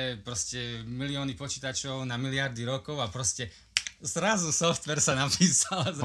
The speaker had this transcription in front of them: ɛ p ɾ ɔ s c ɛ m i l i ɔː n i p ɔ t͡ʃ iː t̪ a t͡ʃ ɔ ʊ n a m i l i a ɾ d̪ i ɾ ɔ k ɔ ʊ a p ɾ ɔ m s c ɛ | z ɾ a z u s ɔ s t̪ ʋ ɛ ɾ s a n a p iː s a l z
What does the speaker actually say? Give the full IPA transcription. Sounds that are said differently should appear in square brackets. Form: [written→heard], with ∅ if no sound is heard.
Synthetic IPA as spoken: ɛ p ɾ ɔ s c ɛ m i l i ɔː n i p ɔ t͡ʃ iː t̪ a t͡ʃ ɔ ʊ n a m i l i a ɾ d̪ i ɾ ɔ k ɔ ʊ a p ɾ ɔ [m→∅] s c ɛ | z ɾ a z u s ɔ [s→f] t̪ ʋ ɛ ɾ s a n a p iː s a l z